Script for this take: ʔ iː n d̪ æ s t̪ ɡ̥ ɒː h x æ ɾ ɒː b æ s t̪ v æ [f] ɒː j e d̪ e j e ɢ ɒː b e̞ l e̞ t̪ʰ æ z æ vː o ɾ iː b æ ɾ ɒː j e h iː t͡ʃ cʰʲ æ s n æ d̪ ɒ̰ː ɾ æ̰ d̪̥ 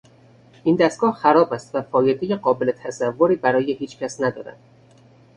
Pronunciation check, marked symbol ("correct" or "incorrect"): correct